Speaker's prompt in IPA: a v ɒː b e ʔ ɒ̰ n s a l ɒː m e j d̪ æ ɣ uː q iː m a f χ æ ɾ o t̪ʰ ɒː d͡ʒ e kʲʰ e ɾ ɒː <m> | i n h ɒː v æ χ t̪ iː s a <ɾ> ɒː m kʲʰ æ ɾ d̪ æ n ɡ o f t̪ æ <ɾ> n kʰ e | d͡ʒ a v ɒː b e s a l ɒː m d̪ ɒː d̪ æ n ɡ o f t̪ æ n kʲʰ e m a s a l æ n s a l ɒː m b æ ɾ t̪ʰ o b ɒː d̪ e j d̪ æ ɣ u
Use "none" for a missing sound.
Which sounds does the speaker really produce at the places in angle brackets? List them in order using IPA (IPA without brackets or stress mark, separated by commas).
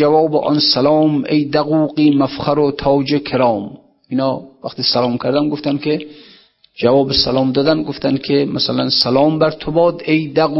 m, l, none